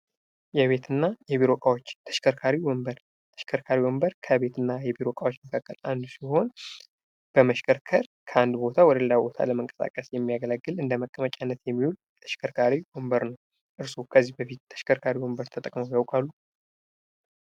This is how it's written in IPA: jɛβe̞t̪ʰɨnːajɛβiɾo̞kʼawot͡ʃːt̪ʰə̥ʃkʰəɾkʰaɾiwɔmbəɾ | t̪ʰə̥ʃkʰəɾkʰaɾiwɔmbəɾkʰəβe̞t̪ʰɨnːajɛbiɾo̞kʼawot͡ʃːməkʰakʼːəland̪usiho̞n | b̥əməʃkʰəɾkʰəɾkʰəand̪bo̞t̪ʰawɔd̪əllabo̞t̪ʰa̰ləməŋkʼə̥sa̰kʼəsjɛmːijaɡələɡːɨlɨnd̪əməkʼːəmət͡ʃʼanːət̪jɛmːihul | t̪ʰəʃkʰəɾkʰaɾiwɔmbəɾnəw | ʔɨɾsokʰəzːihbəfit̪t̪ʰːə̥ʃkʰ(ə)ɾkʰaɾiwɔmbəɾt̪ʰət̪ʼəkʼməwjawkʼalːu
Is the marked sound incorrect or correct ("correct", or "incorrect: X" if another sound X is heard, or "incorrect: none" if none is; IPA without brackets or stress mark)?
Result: correct